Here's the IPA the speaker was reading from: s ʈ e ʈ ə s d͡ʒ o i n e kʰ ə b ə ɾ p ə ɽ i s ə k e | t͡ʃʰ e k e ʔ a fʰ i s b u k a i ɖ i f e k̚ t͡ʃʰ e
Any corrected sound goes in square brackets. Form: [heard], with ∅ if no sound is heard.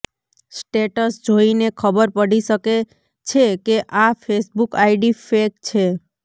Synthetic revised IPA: s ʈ e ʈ ə s d͡ʒ o i n e kʰ ə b ə ɾ p ə ɽ i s ə k e | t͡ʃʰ e k e ʔ a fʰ [e] s b u k a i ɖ i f e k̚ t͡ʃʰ e